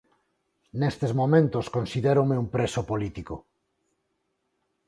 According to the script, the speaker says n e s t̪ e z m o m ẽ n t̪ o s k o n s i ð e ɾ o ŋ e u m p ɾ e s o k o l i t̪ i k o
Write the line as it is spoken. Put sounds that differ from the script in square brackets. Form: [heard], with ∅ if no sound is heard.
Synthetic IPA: n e s t̪ e z m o m ẽ n t̪ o s k o n s i ð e ɾ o [m] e u m p ɾ e s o [p] o l i t̪ i k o

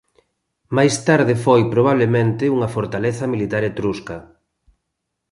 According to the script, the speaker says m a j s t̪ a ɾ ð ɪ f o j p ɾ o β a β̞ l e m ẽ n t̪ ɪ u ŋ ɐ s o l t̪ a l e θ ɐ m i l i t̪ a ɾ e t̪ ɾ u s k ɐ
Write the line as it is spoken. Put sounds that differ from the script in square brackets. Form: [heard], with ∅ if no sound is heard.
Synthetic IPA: m a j s t̪ a ɾ ð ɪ f o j p ɾ o β a β̞ l e m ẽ n t̪ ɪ u ŋ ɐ [f] o [ɾ] t̪ a l e θ ɐ m i l i t̪ a ɾ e t̪ ɾ u s k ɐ

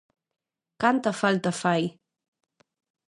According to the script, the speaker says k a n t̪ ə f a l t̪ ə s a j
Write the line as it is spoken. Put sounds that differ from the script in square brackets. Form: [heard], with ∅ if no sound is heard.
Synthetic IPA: k a n t̪ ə f a l t̪ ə [f] a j

